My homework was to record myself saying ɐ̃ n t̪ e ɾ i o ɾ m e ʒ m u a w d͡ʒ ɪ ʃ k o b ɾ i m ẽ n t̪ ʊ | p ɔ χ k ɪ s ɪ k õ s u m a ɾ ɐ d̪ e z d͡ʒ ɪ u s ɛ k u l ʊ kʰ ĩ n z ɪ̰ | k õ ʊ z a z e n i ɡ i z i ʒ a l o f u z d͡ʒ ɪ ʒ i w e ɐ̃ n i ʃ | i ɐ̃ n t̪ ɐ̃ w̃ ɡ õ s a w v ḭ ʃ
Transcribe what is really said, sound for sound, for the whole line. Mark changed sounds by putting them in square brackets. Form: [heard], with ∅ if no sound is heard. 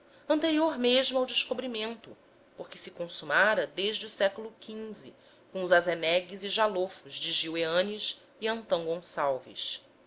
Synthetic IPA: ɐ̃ n t̪ e ɾ i o ɾ m e ʒ m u a w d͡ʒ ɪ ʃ k o b ɾ i m ẽ n t̪ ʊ | p [o] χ k ɪ s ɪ k õ s u m a ɾ ɐ d̪ e [ʒ] d͡ʒ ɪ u s ɛ k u l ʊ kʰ ĩ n z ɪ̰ | k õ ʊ z a z e n [ɛ] ɡ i z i ʒ a l o f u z d͡ʒ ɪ ʒ i w e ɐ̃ n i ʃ | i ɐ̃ n t̪ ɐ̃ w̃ ɡ õ s a w v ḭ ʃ